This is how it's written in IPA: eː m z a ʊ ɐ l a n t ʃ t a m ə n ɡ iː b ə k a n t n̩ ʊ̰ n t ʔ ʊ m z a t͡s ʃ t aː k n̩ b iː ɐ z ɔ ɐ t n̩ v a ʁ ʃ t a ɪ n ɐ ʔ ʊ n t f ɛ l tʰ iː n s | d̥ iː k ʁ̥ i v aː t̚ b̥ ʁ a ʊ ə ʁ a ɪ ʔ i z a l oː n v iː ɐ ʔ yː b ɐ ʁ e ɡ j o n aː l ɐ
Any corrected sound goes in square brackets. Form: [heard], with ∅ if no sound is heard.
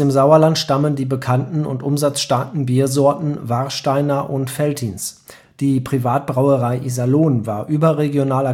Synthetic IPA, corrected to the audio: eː m z a ʊ ɐ l a n t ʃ t a m ə n [d] iː b ə [kʰ] a n t n̩ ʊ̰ n t ʔ ʊ m z a t͡s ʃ t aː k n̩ b iː ɐ z ɔ ɐ t n̩ v a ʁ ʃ t a ɪ n ɐ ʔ ʊ n t f ɛ l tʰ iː n s | d̥ iː [p] ʁ̥ i v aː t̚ b̥ ʁ a ʊ ə ʁ a ɪ ʔ i z a l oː n v [aː] ɐ ʔ yː b ɐ ʁ e ɡ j o n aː l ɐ